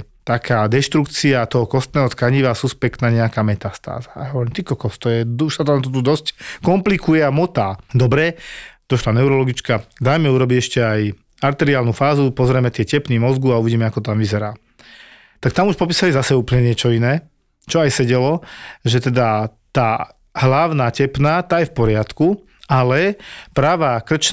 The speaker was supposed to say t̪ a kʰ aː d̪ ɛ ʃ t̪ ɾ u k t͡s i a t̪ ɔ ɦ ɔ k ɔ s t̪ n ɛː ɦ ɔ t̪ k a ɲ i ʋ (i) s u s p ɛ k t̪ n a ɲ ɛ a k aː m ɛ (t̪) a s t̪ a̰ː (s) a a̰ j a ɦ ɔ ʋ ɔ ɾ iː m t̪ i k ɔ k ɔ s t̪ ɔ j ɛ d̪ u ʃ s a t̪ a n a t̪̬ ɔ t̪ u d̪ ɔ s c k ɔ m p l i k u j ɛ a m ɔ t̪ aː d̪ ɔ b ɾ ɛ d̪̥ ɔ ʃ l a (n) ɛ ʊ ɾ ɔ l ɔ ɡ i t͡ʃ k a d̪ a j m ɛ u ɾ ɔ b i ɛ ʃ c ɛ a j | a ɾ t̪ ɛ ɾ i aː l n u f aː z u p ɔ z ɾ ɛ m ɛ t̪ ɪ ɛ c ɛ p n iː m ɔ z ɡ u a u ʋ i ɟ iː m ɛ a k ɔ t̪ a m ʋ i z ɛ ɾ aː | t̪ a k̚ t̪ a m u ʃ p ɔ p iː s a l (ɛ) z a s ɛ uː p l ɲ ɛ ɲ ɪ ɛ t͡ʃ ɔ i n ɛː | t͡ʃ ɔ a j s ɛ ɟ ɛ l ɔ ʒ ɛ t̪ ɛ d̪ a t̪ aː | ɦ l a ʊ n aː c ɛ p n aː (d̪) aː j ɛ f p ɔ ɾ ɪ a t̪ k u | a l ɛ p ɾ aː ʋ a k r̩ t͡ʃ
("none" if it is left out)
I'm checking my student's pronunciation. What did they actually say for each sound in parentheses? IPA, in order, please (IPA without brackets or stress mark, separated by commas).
a, t̪, z, n, i, t̪